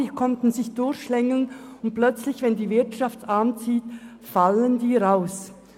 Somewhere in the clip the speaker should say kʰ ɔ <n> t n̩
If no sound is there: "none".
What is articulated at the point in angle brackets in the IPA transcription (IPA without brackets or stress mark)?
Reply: n